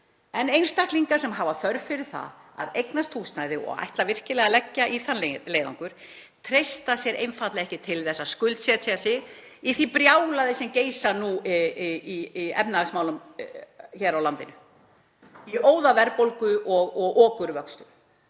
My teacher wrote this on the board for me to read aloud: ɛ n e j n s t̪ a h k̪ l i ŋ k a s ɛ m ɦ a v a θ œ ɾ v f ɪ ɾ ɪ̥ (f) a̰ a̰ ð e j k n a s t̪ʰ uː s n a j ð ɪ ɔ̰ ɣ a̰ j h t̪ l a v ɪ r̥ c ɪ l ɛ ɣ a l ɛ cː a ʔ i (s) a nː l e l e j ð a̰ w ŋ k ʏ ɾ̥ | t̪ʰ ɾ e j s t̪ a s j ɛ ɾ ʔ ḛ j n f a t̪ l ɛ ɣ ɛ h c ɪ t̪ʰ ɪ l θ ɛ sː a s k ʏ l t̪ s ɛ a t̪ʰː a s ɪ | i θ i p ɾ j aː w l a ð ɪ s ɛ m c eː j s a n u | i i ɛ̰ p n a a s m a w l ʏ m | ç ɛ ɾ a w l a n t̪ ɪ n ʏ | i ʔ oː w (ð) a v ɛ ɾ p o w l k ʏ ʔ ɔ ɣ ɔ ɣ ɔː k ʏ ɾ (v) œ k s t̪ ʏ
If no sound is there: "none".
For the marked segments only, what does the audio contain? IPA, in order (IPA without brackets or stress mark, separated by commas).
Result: θ, θ, ð, v